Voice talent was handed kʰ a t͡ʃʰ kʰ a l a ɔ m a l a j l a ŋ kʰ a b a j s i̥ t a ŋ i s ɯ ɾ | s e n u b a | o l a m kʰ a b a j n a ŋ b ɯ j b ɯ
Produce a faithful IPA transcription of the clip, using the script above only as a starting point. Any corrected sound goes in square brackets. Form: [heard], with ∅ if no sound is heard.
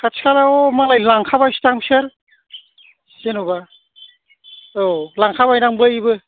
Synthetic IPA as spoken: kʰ a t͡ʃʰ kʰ a l a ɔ m a l a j l a ŋ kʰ a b a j s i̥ t a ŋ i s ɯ ɾ | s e n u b a | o l a [ŋ] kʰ a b a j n a ŋ b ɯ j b ɯ